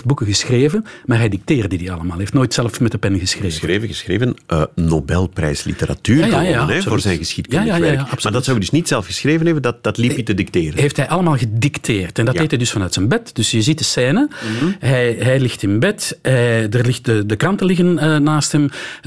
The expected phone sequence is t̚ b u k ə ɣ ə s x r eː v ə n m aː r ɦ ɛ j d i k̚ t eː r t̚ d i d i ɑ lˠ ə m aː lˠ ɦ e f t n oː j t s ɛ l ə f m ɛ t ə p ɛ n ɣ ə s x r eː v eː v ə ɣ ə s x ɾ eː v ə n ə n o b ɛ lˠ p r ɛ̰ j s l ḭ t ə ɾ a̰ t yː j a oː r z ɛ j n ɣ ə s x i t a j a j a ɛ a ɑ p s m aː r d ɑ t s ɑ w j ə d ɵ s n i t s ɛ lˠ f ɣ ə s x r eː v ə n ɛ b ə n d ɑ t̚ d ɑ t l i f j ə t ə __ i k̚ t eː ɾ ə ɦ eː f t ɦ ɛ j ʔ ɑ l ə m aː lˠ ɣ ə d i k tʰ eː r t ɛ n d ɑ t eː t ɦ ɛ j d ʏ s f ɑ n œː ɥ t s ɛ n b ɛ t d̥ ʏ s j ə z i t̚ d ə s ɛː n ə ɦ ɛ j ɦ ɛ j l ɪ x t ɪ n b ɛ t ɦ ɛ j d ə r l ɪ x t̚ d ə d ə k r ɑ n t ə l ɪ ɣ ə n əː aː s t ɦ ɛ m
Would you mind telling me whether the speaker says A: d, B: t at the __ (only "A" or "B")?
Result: A